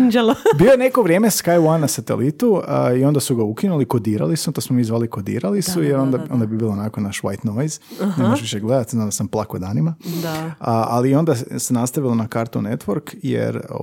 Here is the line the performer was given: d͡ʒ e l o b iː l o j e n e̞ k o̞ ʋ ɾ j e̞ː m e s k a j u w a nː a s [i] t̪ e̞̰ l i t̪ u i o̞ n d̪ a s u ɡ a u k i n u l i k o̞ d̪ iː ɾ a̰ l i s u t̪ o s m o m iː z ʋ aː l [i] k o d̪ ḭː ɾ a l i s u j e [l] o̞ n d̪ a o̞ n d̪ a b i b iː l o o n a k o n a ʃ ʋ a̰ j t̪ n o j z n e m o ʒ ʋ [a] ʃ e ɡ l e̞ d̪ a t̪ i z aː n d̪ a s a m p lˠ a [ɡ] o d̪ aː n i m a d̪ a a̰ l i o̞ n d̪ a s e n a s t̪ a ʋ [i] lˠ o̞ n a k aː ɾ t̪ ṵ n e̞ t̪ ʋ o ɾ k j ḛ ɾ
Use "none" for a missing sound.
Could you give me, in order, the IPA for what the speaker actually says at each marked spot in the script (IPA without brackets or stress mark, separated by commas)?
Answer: a, i, ɾ, i, k, i